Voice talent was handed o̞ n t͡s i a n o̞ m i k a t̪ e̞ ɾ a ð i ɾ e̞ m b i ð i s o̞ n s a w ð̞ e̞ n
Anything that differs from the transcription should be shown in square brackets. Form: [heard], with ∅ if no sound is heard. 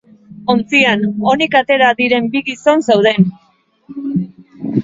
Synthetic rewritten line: o̞ n t͡s i a n o̞ [n] i k a t̪ e̞ ɾ a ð i ɾ e̞ m b i [ɣ] i s o̞ n s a w ð̞ e̞ n